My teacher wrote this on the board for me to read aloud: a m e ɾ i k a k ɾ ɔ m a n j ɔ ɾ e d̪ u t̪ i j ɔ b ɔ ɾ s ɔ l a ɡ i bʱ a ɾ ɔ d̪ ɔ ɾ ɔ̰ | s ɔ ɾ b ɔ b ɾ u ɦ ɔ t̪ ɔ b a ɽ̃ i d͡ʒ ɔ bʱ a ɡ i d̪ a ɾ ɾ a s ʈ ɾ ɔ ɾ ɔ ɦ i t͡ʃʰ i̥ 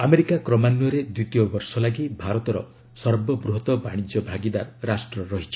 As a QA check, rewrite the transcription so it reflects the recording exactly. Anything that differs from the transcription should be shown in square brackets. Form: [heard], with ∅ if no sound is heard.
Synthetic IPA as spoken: a m e ɾ i k a k ɾ ɔ m a n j ɔ ɾ e d̪ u t̪ i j ɔ b ɔ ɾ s ɔ l a ɡ i bʱ a ɾ ɔ [t̪] ɔ ɾ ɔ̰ | s ɔ ɾ b ɔ b ɾ u ɦ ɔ t̪ ɔ b a ɽ̃ i d͡ʒ ɔ bʱ a ɡ i d̪ a ɾ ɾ a s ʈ ɾ ɔ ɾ ɔ ɦ i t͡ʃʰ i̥